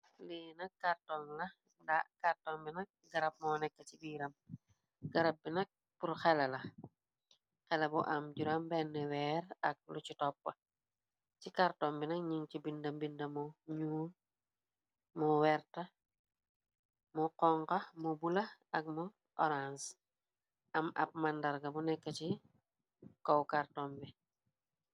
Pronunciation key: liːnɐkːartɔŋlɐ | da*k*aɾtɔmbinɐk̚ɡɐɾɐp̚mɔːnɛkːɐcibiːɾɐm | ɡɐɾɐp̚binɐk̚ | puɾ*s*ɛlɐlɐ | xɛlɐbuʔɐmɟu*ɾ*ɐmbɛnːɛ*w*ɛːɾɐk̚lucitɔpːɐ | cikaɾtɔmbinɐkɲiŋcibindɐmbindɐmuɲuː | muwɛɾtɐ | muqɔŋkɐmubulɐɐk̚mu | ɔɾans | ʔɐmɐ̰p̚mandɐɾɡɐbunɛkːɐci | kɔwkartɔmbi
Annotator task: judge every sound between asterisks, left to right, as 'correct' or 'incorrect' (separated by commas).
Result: correct, incorrect, correct, correct